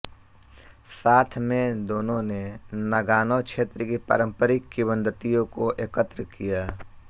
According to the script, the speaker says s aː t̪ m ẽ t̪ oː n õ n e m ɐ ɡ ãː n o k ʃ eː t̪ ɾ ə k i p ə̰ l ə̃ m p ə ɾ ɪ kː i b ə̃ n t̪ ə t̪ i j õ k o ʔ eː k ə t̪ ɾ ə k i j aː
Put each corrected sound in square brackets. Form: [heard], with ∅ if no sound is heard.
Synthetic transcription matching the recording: s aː [t̪ʰ] m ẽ [d̪] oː n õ n e [n] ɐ ɡ [aː] n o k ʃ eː t̪ ɾ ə k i p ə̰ [ɾ] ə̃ m p ə ɾ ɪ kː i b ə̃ n [d̪] ə t̪ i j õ k o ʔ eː k ə t̪ ɾ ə k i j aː